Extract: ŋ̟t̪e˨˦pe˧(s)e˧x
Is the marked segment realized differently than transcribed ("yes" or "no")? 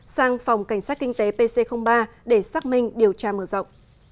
no